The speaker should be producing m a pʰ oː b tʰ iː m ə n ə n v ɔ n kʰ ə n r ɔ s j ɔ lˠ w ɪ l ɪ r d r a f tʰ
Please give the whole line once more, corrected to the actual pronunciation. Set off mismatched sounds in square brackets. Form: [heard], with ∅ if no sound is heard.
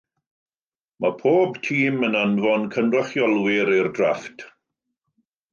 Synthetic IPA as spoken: m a pʰ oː b tʰ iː m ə n [a] n v ɔ n kʰ ə n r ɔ [χ] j ɔ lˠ w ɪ [ɾ] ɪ r d r a f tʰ